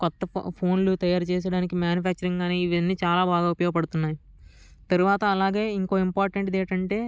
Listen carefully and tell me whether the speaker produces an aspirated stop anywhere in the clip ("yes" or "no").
yes